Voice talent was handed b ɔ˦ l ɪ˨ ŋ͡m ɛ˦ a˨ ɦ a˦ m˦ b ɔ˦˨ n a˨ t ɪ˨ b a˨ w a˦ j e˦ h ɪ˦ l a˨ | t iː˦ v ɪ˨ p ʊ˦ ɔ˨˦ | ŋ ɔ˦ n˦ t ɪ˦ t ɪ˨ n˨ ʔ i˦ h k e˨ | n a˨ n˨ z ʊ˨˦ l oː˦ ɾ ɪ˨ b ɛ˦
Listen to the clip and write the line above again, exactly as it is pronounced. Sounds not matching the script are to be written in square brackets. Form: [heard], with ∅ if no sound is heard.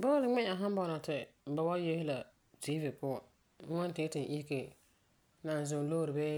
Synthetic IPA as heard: b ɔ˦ l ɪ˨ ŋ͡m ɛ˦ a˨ ɦ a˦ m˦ b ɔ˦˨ n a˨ t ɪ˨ b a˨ w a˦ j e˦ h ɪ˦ l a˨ | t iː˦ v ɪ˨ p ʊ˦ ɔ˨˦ | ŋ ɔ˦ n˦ t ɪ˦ t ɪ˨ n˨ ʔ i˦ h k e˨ | n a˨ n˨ z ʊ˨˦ l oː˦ ɾ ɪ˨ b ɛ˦